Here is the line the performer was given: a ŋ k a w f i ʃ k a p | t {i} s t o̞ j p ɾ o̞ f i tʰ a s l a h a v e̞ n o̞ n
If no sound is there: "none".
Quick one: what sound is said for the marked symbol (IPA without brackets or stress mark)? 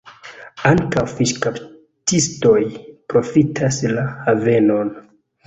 i